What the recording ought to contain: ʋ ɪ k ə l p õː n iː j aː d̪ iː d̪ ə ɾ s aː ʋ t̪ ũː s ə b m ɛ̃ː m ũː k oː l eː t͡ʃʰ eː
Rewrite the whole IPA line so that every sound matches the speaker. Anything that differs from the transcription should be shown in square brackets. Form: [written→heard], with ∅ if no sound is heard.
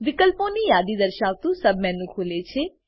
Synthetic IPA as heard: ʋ ɪ k ə l p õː n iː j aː d̪ iː d̪ ə ɾ [s→ʃ] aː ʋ t̪ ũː s ə b m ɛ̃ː [m→n] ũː [k→kʰ] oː l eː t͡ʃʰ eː